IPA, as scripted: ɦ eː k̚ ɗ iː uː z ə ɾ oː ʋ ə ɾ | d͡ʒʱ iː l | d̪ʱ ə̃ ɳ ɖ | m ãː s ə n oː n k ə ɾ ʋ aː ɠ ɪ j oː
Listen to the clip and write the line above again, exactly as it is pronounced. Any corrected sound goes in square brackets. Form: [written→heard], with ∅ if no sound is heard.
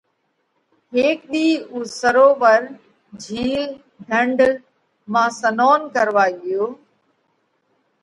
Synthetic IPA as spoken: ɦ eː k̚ ɗ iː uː [z→s] ə ɾ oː ʋ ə ɾ | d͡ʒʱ iː l | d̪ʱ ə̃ ɳ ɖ | m ãː s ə n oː n k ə ɾ ʋ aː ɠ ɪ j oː